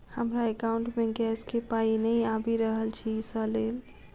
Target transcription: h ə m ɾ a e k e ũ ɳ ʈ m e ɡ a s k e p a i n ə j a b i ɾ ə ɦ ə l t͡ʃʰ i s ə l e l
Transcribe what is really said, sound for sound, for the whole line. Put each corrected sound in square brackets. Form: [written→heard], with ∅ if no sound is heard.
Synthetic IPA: h ə m ɾ a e k [e→a] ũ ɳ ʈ m e ɡ [a→ɛ] s k e p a i n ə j a b i ɾ ə ɦ ə l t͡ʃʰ i s ə l e l